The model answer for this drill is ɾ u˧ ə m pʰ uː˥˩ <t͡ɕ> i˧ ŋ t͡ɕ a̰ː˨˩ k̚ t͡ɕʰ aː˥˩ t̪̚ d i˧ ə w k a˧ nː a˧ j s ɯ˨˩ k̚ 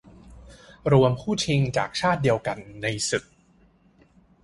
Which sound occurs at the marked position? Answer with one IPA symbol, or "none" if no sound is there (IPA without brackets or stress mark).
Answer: t͡ɕʰ